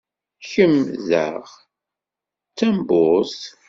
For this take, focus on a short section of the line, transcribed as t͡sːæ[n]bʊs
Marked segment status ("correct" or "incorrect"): incorrect